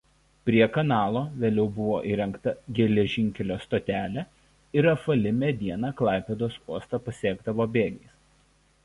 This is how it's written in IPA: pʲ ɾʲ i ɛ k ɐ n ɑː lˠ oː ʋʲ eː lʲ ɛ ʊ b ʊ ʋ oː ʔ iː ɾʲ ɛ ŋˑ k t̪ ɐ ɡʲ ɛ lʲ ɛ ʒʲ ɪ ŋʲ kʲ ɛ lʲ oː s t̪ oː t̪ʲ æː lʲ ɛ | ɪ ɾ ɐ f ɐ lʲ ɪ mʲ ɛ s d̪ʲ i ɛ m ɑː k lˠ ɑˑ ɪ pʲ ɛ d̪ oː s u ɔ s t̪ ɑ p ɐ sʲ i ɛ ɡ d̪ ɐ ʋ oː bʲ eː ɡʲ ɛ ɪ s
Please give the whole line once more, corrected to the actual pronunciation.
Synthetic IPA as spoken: pʲ ɾʲ i ɛ k ɐ n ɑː lˠ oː ʋʲ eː lʲ ɛ ʊ b ʊ ʋ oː ʔ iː ɾʲ ɛ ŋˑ k t̪ ɐ ɡʲ ɛ lʲ ɛ ʒʲ ɪ ŋʲ kʲ ɛ lʲ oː s t̪ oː t̪ʲ æː lʲ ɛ | ɪ ɾ ɐ f ɐ lʲ ɪ mʲ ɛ d̪ʲ i ɛ n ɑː k lˠ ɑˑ ɪ pʲ ɛ d̪ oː s u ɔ s t̪ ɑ p ɐ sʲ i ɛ ɡ d̪ ɐ ʋ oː bʲ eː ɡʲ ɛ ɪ s

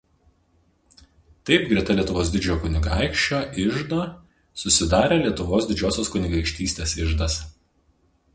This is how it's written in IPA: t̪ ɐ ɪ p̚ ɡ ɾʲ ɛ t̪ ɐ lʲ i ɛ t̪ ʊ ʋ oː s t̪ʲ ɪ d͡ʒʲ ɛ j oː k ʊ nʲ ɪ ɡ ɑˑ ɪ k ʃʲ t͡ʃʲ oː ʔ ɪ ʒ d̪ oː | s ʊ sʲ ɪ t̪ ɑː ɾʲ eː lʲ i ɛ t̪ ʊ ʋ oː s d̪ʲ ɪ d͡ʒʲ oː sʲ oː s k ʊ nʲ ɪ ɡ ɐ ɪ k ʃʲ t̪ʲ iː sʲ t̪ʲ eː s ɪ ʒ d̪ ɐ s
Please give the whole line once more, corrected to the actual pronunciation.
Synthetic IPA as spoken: t̪ ɐ ɪ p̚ ɡ ɾʲ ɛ t̪ ɐ lʲ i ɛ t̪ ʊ ʋ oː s d̪ʲ ɪ d͡ʒʲ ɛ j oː k ʊ nʲ ɪ ɡ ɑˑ ɪ k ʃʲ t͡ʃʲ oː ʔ ɪ ʒ d̪ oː | s ʊ sʲ ɪ d̪ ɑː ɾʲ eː lʲ i ɛ t̪ ʊ ʋ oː s d̪ʲ ɪ d͡ʒʲ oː sʲ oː s k ʊ nʲ ɪ ɡ ɐ ɪ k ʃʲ t̪ʲ iː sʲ t̪ʲ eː s ɪ ʒ d̪ ɐ s

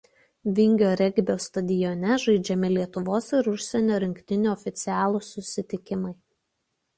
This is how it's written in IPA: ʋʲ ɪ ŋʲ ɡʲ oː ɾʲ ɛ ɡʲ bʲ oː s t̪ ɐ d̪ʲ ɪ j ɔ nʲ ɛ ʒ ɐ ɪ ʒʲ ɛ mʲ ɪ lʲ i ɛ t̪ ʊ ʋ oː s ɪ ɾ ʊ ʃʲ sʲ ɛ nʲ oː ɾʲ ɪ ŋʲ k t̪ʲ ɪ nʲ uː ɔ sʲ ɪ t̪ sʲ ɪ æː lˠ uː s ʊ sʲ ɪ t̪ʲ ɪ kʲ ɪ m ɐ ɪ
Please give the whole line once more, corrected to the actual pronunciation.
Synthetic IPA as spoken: ʋʲ ɪ ŋʲ ɡʲ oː ɾʲ ɛ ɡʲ bʲ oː s t̪ ɐ d̪ʲ ɪ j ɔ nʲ ɛ ʒ ɐ ɪ d͡ʒʲ ɛ mʲ ɪ lʲ i ɛ t̪ ʊ ʋ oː s ɪ ɾ ʊ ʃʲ sʲ ɛ nʲ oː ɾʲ ɪ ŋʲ k t̪ʲ ɪ nʲ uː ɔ fʲ ɪ t̪ sʲ ɪ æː lˠ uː s ʊ sʲ ɪ t̪ʲ ɪ kʲ ɪ m ɐ ɪ

